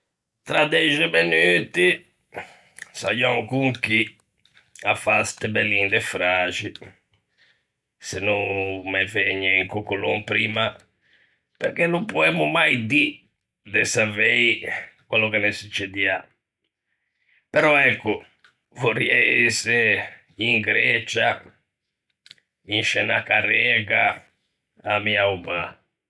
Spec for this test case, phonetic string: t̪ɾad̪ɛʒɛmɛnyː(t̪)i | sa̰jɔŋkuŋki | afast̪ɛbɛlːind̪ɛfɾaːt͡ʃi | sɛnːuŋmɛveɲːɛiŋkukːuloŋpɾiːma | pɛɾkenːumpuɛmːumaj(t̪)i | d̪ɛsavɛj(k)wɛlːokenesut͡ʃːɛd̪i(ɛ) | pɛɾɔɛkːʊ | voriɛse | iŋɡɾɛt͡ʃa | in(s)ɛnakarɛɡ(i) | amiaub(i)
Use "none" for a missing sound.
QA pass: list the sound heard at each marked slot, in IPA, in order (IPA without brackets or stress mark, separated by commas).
t̪, d̪, k, a, ʃ, a, a